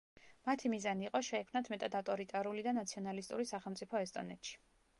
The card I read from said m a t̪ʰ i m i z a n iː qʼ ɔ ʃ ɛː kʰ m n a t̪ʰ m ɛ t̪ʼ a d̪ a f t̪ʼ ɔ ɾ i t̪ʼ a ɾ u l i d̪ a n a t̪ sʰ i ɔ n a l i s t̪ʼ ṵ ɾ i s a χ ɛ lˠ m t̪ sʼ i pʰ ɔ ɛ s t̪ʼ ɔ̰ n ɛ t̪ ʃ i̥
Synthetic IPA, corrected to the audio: m a t̪ʰ i m i z a n iː qʼ ɔ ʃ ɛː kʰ m n a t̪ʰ m ɛ t̪ʼ a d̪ a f t̪ʼ ɔ ɾ i t̪ʼ a ɾ u l i d̪ a n a t̪ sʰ i ɔ n a l i s t̪ʼ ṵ ɾ i s a χ ɛ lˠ m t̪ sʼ i pʰ ɔ ɛ s t̪ʼ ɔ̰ n ɛ t̪ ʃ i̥

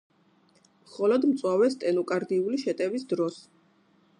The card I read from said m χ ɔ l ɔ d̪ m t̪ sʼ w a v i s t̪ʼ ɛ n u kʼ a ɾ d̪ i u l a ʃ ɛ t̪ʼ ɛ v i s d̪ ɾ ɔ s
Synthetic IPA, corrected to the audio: m χ ɔ l ɔ d̪ m t̪ sʼ w a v ɛ s t̪ʼ ɛ n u kʼ a ɾ d̪ i u l i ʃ ɛ t̪ʼ ɛ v i s d̪ ɾ ɔ s

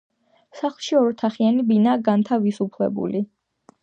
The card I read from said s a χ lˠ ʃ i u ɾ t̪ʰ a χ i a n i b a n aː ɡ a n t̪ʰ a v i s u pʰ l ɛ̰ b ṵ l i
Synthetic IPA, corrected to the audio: s a χ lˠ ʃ i ɔ ɾ t̪ʰ a χ i a n i b i n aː ɡ a n t̪ʰ a v i s u pʰ l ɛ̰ b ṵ l i

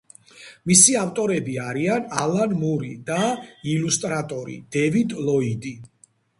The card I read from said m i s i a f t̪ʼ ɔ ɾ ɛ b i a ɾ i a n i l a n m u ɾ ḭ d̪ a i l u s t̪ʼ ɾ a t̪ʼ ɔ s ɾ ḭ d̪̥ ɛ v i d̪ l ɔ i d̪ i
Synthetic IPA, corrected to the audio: m i s i a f t̪ʼ ɔ ɾ ɛ b i a ɾ i a n a l a n m u ɾ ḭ d̪ a i l u s t̪ʼ ɾ a t̪ʼ ɔ ɾ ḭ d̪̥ ɛ v i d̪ l ɔ i d̪ i

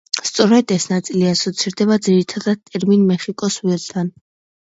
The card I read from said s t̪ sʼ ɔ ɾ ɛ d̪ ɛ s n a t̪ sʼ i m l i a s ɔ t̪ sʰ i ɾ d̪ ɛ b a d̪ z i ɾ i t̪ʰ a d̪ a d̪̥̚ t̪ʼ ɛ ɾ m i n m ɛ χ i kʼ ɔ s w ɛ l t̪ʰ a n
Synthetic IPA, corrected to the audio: s t̪ sʼ ɔ ɾ ɛ d̪ ɛ s n a t̪ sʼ i l i a s ɔ t̪ sʰ i ɾ d̪ ɛ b a d̪ z i ɾ i t̪ʰ a d̪ a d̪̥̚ t̪ʼ ɛ ɾ m i n m ɛ χ i kʼ ɔ s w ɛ l t̪ʰ a n

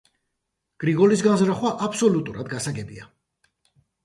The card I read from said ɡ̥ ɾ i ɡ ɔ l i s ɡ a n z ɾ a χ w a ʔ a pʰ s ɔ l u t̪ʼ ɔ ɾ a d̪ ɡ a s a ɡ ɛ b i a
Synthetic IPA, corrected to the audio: ɡ̥ ɾ i ɡ ɔ l i s ɡ a n z ɾ a χ w a ʔ a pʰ s ɔ l u t̪ʼ u ɾ a d̪ ɡ a s a ɡ ɛ b i a

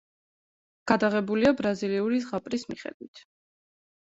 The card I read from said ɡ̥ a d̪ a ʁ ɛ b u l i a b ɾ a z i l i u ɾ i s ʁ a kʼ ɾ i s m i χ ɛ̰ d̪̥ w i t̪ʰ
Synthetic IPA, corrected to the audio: ɡ̥ a d̪ a ʁ ɛ b u l i a b ɾ a z i l i u ɾ i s ʁ a pʼ ɾ i s m i χ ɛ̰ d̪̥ w i t̪ʰ

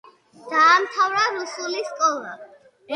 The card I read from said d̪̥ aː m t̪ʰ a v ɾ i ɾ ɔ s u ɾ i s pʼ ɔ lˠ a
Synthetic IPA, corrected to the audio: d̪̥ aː m t̪ʰ a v ɾ a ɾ u s u l i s kʼ ɔ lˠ a

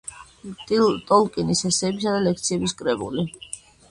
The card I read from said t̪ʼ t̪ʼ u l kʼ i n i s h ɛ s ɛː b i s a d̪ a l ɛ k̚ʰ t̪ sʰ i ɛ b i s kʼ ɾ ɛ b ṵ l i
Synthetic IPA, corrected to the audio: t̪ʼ t̪ʼ ɔ l kʼ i n i s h ɛ s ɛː b i s a d̪ a l ɛ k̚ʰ t̪ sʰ i ɛ b i s kʼ ɾ ɛ b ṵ l i

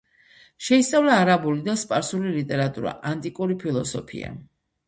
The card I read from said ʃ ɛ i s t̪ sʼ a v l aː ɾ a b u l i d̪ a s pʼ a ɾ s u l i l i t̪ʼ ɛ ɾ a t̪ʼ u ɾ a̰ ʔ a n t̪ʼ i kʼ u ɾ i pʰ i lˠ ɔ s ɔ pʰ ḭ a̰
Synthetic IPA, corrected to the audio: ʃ ɛ i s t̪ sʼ a v l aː ɾ a b u l i d̪ a s pʼ a ɾ s u l i l i t̪ʼ ɛ ɾ a t̪ʼ u ɾ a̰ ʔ a n t̪ʼ i kʼ u ɾ i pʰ i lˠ ɔ s ɔ pʰ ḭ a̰

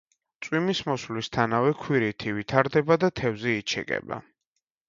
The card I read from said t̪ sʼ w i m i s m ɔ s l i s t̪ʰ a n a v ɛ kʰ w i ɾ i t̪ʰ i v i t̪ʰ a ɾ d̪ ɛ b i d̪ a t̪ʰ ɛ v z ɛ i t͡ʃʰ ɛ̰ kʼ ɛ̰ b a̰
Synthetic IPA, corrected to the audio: t̪ sʼ w i m i s m ɔ s l i s t̪ʰ a n a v ɛ kʰ w i ɾ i t̪ʰ i v i t̪ʰ a ɾ d̪ ɛ b a d̪ a t̪ʰ ɛ v z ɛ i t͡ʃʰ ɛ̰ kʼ ɛ̰ b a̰

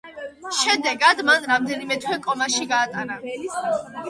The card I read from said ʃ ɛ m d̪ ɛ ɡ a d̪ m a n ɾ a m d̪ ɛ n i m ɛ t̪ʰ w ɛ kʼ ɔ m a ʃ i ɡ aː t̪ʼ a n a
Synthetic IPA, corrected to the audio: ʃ ɛ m d̪ ɛ ɡ a d̪ m a n ɾ a m d̪ ɛ n i m ɛ t̪ʰ w ɛ kʼ ɔ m a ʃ i ɡ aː t̪ʼ a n a

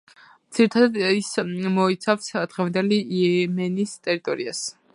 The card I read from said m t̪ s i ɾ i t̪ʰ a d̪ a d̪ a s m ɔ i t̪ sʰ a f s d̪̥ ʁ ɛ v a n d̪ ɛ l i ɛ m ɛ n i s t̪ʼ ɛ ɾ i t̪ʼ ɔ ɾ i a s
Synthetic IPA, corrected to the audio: m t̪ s i ɾ i t̪ʰ a d̪ a d̪ i s m ɔ i t̪ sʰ a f s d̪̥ ʁ ɛ v a n d̪ ɛ l i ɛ m ɛ n i s t̪ʼ ɛ ɾ i t̪ʼ ɔ ɾ i a s

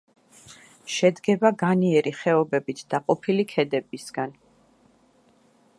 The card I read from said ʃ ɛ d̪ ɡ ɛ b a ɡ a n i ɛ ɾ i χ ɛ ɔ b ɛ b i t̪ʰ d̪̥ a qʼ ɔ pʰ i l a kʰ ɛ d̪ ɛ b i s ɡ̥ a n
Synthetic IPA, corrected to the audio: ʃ ɛ d̪ ɡ ɛ b a ɡ a n i ɛ ɾ i χ ɛ ɔ b ɛ b i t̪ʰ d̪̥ a qʼ ɔ pʰ i l i kʰ ɛ d̪ ɛ b i s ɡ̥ a n

